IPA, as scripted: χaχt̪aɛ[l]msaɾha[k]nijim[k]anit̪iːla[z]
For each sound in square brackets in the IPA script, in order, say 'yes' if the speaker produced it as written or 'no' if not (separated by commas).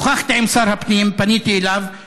no, no, no, no